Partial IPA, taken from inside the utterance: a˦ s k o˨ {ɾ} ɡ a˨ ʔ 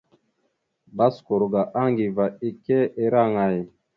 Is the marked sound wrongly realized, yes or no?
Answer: no